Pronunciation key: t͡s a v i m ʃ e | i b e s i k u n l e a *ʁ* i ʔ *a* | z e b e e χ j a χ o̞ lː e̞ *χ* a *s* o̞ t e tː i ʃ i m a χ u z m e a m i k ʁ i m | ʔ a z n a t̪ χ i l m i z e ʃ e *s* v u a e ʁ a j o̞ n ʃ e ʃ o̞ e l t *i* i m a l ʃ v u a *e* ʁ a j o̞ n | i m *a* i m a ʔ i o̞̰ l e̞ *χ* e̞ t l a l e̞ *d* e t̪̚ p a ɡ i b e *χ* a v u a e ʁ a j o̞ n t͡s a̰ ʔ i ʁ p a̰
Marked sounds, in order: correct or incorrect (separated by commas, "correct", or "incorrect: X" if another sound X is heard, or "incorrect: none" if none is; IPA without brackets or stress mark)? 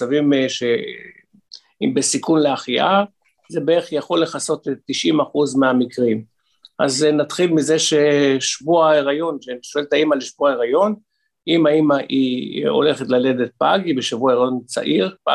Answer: incorrect: χ, correct, correct, correct, incorrect: ʃ, incorrect: a, correct, correct, correct, correct, incorrect: ʃ